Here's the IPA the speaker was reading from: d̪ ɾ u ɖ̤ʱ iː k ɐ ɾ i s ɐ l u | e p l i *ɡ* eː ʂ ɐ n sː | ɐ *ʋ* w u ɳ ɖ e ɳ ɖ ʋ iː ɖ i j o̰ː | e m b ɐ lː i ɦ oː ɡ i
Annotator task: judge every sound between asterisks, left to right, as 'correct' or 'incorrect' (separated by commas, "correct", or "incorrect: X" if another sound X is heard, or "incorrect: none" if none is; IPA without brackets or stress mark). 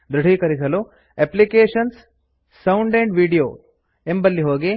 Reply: incorrect: k, incorrect: none